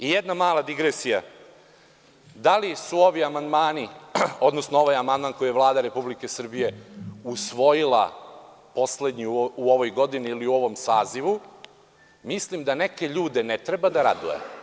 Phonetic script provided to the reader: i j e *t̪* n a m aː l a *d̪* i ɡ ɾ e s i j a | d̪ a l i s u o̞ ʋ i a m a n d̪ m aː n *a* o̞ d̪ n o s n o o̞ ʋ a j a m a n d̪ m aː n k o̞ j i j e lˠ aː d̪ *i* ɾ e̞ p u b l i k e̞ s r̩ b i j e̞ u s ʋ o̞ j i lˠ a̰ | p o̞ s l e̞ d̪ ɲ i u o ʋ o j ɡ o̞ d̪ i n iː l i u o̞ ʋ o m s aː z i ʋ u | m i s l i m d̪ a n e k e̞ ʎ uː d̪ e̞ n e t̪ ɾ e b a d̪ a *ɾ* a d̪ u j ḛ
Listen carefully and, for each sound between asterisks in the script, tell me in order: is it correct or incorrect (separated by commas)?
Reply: incorrect, correct, incorrect, incorrect, correct